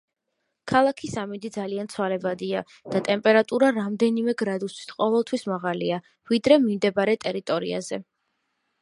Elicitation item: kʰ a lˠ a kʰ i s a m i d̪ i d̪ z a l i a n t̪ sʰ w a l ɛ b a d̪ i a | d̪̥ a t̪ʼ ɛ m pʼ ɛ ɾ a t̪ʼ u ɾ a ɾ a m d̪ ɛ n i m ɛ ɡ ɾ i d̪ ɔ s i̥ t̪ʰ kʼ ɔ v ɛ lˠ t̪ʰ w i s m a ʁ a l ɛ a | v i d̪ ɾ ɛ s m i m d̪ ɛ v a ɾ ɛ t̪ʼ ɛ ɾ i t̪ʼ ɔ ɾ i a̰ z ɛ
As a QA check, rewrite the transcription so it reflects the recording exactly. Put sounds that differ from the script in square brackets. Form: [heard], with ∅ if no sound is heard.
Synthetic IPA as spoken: kʰ a lˠ a kʰ i s a m i d̪ i d̪ z a l i a n t̪ sʰ w a l ɛ b a d̪ i a | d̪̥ a t̪ʼ ɛ m pʼ ɛ ɾ a t̪ʼ u ɾ a ɾ a m d̪ ɛ n i m ɛ ɡ ɾ [a] d̪ [u] s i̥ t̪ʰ [qʼ] ɔ v ɛ lˠ t̪ʰ w i s m a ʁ a l [i] a | v i d̪ ɾ ɛ [∅] m i m d̪ ɛ [b] a ɾ ɛ t̪ʼ ɛ ɾ i t̪ʼ ɔ ɾ i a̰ z ɛ